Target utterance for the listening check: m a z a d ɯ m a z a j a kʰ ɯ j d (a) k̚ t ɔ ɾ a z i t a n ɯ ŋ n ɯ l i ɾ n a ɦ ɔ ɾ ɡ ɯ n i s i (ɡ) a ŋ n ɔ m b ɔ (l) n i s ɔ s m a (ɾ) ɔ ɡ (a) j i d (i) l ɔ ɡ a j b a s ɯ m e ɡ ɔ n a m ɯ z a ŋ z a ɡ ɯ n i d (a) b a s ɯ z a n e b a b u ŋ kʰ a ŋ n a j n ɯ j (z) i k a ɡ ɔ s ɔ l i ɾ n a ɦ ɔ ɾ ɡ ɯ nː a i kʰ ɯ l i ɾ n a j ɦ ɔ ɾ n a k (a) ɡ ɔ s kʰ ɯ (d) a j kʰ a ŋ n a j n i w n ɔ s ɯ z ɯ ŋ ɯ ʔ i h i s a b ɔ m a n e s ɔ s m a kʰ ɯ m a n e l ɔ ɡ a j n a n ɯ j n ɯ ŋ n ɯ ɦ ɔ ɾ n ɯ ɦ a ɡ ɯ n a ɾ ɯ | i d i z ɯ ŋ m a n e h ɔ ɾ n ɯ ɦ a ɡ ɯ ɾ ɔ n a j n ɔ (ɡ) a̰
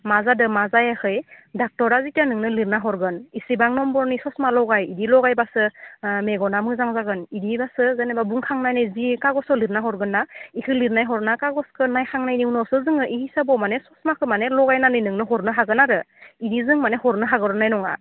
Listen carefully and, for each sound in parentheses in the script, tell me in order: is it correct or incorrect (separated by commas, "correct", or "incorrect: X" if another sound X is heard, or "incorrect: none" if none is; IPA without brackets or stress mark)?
correct, incorrect: b, incorrect: ɾ, incorrect: l, correct, correct, incorrect: i, correct, correct, incorrect: n, incorrect: ŋ